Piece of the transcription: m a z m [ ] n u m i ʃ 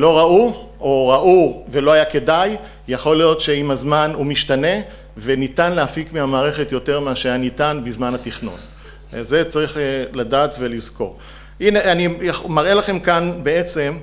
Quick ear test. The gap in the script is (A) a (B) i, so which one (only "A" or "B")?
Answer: A